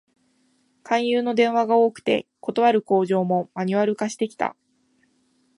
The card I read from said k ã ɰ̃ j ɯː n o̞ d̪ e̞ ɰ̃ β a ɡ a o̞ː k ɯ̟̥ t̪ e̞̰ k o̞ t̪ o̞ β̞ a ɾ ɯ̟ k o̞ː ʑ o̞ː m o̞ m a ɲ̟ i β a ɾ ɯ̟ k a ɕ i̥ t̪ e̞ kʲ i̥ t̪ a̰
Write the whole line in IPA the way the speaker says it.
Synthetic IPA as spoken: k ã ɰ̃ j ɯː n o̞ d̪ ẽ̞ ɰ̃ β a ɡ a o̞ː k ɯ̟̥ t̪ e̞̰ k o̞ t̪ o̞ β̞ a ɾ ɯ̟ k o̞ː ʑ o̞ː m o̞ m a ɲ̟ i β a ɾ ɯ̟ k a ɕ i̥ t̪ e̞ kʲ i̥ t̪ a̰